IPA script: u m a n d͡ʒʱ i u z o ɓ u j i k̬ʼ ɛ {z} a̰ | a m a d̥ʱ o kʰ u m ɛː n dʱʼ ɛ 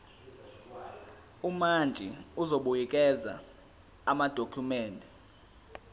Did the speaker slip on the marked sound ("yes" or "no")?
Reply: no